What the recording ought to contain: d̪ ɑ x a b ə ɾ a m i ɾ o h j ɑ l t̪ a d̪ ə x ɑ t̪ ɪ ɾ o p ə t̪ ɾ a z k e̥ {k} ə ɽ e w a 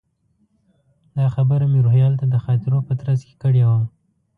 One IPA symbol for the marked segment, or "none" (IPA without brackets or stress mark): k